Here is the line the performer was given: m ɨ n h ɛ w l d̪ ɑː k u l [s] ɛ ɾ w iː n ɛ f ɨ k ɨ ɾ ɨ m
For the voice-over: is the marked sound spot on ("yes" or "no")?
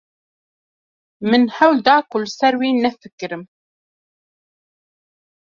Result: yes